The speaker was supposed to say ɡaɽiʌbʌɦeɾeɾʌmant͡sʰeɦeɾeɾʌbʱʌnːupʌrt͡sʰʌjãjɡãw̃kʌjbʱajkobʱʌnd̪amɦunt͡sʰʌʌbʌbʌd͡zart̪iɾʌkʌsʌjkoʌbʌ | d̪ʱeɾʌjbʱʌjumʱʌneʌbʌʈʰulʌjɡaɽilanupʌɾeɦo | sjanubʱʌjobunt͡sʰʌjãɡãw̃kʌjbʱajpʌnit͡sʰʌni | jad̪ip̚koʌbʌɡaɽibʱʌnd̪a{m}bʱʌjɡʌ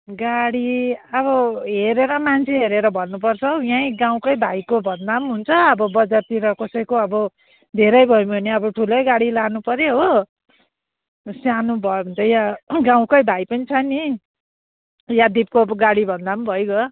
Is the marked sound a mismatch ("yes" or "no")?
no